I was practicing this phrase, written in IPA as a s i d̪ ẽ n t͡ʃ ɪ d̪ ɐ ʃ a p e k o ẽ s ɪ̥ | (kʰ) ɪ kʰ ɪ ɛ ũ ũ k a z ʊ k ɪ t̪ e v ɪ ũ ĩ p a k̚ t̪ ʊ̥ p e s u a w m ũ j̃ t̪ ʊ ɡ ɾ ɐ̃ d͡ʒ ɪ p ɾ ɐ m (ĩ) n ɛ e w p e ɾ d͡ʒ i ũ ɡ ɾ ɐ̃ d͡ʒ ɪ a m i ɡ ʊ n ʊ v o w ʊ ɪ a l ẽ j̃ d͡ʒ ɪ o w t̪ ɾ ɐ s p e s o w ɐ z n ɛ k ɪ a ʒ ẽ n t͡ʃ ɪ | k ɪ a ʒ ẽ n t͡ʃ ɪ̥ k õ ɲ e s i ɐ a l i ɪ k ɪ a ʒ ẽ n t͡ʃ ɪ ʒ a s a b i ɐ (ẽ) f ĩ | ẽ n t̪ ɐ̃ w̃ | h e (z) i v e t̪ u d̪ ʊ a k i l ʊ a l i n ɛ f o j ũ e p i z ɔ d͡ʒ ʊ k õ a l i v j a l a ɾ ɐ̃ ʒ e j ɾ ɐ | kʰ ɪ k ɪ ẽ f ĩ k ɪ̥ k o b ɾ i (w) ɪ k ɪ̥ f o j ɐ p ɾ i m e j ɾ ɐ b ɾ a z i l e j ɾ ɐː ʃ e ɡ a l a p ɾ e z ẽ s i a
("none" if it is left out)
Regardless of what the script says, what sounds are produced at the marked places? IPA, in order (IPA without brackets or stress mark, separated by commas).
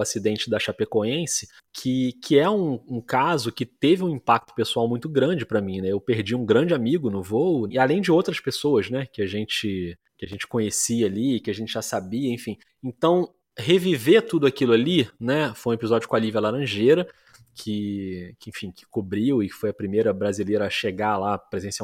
kʰ, ĩ, ẽ, v, w